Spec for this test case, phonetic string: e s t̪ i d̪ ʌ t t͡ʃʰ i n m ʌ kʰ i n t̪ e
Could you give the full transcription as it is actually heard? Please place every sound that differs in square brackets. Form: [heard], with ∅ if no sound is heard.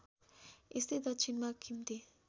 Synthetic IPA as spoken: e s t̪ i d̪ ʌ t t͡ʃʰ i n m [a] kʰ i [m] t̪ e